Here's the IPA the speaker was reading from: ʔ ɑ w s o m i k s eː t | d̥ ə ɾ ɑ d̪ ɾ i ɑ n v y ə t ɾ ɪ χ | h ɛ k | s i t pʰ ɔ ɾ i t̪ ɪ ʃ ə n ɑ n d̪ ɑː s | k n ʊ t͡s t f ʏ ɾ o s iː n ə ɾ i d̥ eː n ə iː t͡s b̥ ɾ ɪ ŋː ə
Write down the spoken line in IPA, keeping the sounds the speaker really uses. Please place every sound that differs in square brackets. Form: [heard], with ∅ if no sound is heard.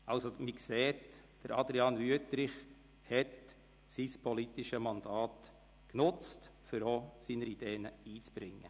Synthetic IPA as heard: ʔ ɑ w s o m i k s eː t | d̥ ə ɾ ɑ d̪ ɾ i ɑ n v y ə t ɾ ɪ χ | h ɛ [t] | s i [s] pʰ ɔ [l] i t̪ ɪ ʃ ə [m] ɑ n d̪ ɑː [t] | k n ʊ t͡s t f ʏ ɾ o s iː n ə ɾ i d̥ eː n ə iː t͡s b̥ ɾ ɪ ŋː ə